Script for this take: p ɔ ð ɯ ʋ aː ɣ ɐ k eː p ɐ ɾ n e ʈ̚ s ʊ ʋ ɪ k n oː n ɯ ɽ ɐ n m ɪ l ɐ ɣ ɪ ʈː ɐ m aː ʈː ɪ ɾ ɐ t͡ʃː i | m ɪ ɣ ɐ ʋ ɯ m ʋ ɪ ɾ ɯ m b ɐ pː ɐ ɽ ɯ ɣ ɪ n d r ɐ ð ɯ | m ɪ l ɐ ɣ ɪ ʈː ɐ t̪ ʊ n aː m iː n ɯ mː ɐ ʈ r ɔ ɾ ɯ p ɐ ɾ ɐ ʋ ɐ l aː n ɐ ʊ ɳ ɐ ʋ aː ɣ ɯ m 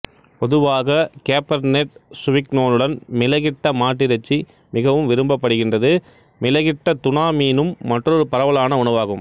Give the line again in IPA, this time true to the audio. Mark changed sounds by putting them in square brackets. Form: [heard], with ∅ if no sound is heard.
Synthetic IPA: p ɔ ð ɯ ʋ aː ɣ ɐ k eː p ɐ ɾ n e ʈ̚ s ʊ ʋ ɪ k n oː n ɯ ɽ ɐ n m ɪ l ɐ ɣ ɪ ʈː ɐ m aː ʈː ɪ ɾ ɐ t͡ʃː i | m ɪ ɣ ɐ ʋ ɯ m ʋ ɪ ɾ ɯ m b ɐ pː ɐ ɽ ɯ ɣ ɪ n d r ɐ ð ɯ | m ɪ l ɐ ɣ ɪ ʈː ɐ t̪ ʊ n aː m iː n ɯ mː ɐ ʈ r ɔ ɾ ɯ p ɐ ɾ ɐ ʋ ɐ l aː n ɐ ʊ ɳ ɐ ʋ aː ɣ ɯ m

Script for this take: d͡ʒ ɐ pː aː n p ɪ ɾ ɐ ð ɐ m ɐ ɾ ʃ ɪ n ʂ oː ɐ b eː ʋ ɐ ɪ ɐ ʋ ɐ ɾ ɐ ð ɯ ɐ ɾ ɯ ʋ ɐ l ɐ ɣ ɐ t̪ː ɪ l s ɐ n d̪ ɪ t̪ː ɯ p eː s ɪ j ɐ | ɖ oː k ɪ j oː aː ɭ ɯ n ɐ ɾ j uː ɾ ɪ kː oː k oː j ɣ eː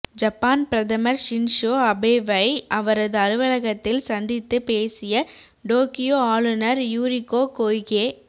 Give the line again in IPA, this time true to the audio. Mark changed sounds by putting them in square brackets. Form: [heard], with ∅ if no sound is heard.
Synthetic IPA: d͡ʒ ɐ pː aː n p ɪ ɾ ɐ ð ɐ m ɐ ɾ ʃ ɪ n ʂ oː ɐ b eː ʋ ɐ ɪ ɐ ʋ ɐ ɾ ɐ ð ɯ ɐ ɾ ɯ ʋ ɐ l ɐ ɣ ɐ t̪ː ɪ l s ɐ n d̪ ɪ t̪ː ɯ p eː s ɪ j ɐ | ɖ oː k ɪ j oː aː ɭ ɯ n ɐ ɾ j uː ɾ ɪ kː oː k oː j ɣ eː

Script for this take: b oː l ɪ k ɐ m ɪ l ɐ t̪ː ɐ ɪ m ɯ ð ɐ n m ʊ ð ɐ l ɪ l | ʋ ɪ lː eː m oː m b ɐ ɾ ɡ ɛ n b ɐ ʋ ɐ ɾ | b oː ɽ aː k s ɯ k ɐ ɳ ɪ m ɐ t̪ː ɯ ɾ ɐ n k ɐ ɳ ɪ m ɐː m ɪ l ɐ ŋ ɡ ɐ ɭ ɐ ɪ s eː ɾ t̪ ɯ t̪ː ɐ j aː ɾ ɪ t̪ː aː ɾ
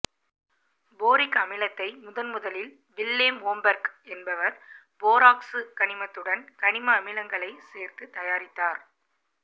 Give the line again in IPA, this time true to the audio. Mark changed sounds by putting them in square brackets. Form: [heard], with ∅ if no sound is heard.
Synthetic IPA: b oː [ɾ] ɪ k ɐ m ɪ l ɐ t̪ː ɐ ɪ m [ʊ] ð ɐ n m ʊ ð ɐ l ɪ l | ʋ ɪ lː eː m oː m b ɐ ɾ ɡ ɛ n b ɐ ʋ ɐ ɾ | b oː [ɾ] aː k s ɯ k ɐ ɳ ɪ m ɐ t̪ː ɯ [ɽ] ɐ n k ɐ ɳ ɪ m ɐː m ɪ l ɐ ŋ ɡ ɐ ɭ ɐ ɪ s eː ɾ t̪ ɯ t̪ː ɐ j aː ɾ ɪ t̪ː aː ɾ

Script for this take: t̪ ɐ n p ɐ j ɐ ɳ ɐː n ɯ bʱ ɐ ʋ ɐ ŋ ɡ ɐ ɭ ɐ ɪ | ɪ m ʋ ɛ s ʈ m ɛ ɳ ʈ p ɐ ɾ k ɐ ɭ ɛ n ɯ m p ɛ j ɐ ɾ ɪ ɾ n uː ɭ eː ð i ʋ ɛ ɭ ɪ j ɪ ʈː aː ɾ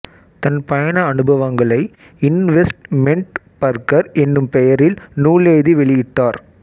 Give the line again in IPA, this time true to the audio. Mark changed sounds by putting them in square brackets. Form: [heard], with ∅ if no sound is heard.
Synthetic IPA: t̪ ɐ n p ɐ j ɐ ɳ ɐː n ɯ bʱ ɐ ʋ ɐ ŋ ɡ ɐ ɭ ɐ ɪ | ɪ [n] ʋ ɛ s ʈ m ɛ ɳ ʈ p ɐ ɾ k ɐ [ɾ] ɛ [nː] ɯ m p ɛ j ɐ ɾ ɪ [l] n uː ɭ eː ð i ʋ ɛ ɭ ɪ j ɪ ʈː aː ɾ

